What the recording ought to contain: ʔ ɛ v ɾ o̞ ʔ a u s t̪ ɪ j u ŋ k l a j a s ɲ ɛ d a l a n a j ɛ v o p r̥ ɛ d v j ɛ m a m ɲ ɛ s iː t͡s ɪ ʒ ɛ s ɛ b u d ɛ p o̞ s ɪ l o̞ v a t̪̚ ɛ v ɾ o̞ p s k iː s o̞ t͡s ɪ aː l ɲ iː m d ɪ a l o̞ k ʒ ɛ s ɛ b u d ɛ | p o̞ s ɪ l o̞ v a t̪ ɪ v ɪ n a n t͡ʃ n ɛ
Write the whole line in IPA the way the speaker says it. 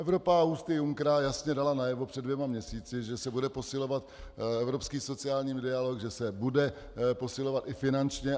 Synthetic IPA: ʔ ɛ v ɾ o̞ p a u s t̪ ɪ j u ŋ k ɾ a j a s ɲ ɛ d a l a n a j ɛ v o p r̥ ɛ d v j ɛ m a m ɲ ɛ s iː t͡s ɪ ʒ ɛ s ɛ b u d ɛ p o̞ s ɪ l o̞ v a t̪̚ ɛ v ɾ o̞ p s k iː s o̞ t͡s ɪ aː l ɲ iː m d ɪ a l o̞ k ʒ ɛ s ɛ b u d ɛ | p o̞ s ɪ l o̞ v a t̪ ɪ f ɪ n a n t͡ʃ ɲ ɛ